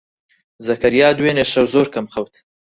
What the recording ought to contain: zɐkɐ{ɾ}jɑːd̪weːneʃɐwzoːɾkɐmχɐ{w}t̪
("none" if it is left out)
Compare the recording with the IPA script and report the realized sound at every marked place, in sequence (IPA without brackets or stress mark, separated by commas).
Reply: ɾ, w